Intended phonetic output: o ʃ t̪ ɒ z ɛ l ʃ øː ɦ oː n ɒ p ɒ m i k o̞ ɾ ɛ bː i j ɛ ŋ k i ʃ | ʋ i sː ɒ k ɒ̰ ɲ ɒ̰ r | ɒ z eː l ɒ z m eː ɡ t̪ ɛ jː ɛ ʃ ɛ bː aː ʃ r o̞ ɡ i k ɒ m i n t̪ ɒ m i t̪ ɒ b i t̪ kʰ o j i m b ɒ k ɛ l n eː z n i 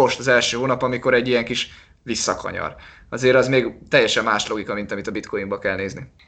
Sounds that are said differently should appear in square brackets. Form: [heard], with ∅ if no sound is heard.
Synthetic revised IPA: o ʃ t̪ ɒ z ɛ l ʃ øː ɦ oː n ɒ p ɒ m i k o̞ ɾ ɛ [ɟː] i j ɛ ŋ k i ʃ | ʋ i sː ɒ k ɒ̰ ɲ ɒ̰ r | ɒ z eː [ɾ] ɒ z m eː ɡ t̪ ɛ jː ɛ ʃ ɛ [mː] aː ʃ [l] o̞ ɡ i k ɒ m i n t̪ ɒ m i t̪ ɒ b i t̪ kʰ o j i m b ɒ k ɛ l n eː z n i